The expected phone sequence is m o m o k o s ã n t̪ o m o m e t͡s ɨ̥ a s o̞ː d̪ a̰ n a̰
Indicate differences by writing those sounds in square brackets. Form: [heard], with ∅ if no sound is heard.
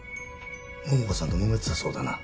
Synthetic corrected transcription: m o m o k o s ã n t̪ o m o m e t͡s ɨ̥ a s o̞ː d̪ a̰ n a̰